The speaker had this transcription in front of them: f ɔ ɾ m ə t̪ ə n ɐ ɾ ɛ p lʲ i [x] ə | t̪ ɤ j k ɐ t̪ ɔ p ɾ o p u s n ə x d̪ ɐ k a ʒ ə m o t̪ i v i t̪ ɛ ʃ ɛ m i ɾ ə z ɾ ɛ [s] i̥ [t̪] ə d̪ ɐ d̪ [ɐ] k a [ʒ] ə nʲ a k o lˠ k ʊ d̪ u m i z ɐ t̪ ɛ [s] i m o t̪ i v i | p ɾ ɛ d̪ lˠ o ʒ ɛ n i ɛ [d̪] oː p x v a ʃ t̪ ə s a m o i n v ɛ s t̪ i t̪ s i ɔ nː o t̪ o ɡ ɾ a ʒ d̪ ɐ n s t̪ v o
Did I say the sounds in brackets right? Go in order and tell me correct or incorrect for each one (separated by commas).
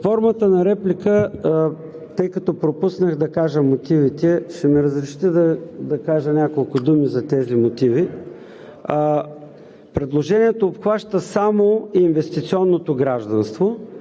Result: incorrect, incorrect, correct, correct, correct, incorrect, incorrect